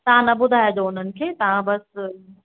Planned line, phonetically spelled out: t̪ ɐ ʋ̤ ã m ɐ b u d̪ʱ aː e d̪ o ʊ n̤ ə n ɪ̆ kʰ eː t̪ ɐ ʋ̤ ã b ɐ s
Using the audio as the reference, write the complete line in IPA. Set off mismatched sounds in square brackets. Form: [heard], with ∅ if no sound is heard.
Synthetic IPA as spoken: t̪ ɐ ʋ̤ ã [n] ɐ b [ʊ] d̪ʱ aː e d̪ o ʊ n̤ ə n ɪ̆ kʰ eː t̪ ɐ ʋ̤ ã b ɐ s